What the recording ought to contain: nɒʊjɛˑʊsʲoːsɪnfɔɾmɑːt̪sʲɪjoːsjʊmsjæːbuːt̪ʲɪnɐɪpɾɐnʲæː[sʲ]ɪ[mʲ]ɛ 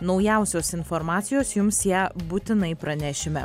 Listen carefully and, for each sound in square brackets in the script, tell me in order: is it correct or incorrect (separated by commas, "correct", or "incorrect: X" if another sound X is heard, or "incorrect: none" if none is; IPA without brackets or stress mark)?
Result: incorrect: ʃʲ, correct